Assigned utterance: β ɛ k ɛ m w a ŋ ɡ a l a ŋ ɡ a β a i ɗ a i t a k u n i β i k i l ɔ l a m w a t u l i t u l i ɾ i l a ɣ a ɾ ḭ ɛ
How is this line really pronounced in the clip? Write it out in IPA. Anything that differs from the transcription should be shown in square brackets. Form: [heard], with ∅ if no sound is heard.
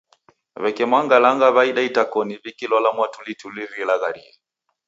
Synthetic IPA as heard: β ɛ k ɛ m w a ŋ ɡ a l a ŋ ɡ a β a i ɗ a i t a k [ɔ] n i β i k i l ɔ l a m w a t u l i t u l i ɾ i l a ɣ a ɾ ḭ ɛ

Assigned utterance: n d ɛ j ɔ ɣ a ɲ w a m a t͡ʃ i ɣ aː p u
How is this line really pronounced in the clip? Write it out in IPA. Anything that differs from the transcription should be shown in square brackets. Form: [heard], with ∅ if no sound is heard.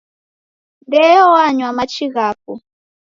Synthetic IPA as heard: n d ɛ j ɔ [w] a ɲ w a m a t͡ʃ i ɣ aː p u

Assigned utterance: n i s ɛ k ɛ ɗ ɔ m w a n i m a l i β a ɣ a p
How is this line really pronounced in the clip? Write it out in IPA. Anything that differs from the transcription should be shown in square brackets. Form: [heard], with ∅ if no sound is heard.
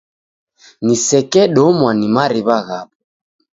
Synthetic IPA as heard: n i s ɛ k ɛ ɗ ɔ m w a n i m a [ɾ] i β a ɣ a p

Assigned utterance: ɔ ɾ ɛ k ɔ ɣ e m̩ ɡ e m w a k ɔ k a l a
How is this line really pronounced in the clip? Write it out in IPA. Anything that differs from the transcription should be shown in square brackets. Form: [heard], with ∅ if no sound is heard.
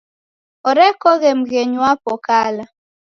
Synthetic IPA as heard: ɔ ɾ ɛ k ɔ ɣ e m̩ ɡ e [ɲ] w a [p] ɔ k a l a

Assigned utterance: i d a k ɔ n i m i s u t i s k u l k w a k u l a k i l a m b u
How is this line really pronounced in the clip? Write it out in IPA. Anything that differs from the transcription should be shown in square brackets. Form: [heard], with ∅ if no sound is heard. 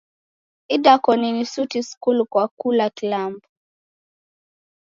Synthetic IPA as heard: i d a k ɔ n i [n] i s u t i s k u l k w a k u l a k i l a m b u

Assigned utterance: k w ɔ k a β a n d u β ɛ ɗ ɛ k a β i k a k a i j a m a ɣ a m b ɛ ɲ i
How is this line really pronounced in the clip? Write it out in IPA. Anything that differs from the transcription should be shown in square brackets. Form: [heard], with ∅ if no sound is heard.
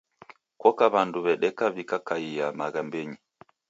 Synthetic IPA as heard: k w ɔ k a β a n d u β ɛ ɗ ɛ k a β i k a k a i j a m a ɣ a m b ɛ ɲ i

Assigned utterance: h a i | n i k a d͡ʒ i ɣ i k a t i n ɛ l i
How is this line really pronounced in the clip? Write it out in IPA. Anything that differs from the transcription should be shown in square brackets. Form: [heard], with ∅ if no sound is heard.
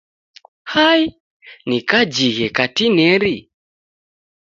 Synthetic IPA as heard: h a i | n i k a d͡ʒ i ɣ [ɛ] k a t i n ɛ [ɾ] i

